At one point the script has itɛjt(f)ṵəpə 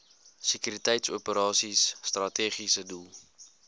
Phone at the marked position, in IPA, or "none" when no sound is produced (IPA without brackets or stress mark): s